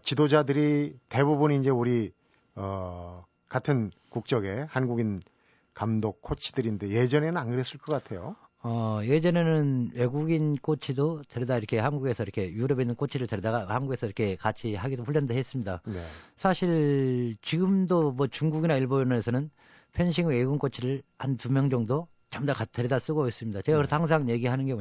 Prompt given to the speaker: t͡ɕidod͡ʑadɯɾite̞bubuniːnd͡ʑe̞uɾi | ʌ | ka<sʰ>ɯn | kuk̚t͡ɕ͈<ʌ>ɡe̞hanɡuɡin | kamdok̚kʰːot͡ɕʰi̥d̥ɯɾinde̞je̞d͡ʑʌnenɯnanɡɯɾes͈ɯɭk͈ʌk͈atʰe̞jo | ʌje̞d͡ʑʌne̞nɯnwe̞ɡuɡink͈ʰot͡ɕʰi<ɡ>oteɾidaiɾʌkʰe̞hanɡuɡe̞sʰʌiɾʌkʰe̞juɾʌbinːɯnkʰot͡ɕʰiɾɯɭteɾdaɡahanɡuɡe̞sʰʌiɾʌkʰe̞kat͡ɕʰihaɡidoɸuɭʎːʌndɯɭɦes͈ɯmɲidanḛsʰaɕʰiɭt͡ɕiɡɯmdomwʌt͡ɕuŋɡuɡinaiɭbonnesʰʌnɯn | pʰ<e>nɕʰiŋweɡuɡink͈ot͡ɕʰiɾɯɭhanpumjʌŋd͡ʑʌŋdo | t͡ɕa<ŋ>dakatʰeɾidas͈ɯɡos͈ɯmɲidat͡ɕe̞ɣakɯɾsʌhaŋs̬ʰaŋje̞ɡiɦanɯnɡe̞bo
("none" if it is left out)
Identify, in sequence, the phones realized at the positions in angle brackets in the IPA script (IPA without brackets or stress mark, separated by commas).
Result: tʰ, ʌ, d, e, m